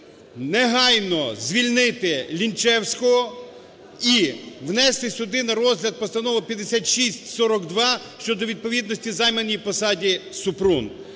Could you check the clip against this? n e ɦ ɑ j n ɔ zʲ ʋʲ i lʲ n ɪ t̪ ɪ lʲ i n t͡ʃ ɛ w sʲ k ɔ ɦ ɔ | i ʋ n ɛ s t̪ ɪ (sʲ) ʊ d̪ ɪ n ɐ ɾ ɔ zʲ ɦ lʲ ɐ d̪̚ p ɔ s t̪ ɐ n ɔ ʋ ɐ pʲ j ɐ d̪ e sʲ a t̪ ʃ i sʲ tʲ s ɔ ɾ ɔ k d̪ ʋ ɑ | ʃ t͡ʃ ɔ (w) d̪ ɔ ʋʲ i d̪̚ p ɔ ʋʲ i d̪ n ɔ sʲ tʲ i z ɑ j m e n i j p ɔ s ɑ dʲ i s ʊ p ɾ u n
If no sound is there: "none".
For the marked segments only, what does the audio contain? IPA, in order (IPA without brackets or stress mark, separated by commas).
sʲ, none